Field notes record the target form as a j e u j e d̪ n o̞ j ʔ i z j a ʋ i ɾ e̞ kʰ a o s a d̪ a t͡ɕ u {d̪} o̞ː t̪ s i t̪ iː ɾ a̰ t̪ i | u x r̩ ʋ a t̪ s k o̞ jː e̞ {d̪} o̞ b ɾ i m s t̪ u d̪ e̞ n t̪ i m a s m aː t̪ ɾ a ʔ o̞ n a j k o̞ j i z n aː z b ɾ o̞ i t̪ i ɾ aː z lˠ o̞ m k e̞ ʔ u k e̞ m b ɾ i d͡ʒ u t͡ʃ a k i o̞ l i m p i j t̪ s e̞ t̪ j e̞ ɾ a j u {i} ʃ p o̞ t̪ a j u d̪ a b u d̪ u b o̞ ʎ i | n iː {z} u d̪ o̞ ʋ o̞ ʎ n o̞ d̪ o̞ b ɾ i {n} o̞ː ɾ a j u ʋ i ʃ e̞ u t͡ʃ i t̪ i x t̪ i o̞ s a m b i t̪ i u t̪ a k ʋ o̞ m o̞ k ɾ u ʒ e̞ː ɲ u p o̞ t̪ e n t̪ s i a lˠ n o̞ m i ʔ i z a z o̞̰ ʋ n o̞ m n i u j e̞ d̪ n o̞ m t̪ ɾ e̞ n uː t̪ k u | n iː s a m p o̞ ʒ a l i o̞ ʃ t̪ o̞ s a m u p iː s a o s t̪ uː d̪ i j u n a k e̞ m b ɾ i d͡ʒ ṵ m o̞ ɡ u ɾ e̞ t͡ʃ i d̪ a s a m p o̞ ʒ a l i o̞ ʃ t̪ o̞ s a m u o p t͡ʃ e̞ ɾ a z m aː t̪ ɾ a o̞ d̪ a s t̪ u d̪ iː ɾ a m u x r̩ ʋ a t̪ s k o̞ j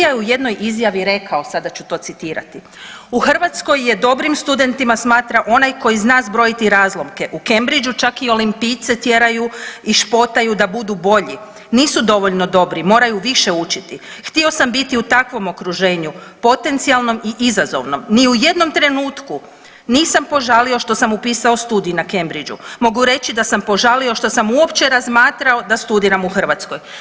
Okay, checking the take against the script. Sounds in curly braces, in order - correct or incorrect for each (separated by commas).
incorrect, correct, correct, incorrect, incorrect